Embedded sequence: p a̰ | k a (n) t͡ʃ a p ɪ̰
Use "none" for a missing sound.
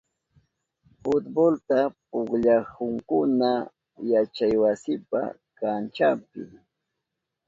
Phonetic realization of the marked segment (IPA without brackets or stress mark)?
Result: n